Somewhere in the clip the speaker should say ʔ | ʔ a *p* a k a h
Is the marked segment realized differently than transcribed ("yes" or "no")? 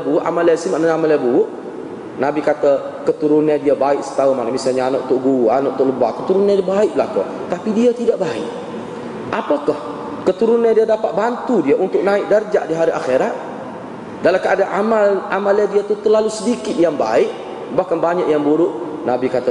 no